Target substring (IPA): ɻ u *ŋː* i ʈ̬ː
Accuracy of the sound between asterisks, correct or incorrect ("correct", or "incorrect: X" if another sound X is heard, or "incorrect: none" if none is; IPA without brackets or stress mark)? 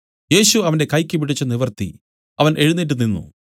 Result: incorrect: nː